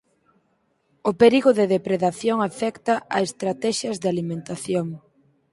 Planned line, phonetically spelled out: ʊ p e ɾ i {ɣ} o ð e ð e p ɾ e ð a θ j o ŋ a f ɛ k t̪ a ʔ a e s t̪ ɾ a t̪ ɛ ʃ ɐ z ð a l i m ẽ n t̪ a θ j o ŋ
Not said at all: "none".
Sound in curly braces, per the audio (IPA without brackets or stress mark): ɣ